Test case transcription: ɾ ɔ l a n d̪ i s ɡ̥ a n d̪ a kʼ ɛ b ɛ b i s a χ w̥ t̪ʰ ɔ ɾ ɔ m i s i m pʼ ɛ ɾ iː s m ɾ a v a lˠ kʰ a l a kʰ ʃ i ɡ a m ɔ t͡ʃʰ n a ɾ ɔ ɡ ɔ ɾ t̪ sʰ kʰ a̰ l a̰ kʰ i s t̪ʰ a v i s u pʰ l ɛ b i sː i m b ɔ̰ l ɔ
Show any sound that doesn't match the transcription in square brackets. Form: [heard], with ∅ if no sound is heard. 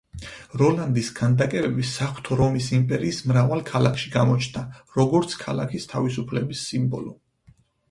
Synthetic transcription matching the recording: ɾ ɔ l a n d̪ i s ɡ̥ a n d̪ a kʼ ɛ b ɛ b i s a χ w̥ t̪ʰ ɔ ɾ ɔ m i s i m pʼ ɛ ɾ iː s m ɾ a v a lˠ kʰ a l a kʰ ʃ i ɡ a m ɔ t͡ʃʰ n a ɾ ɔ ɡ ɔ ɾ t̪ sʰ kʰ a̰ l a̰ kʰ i s t̪ʰ a v i s u pʰ l ɛ b i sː i m b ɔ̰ l ɔ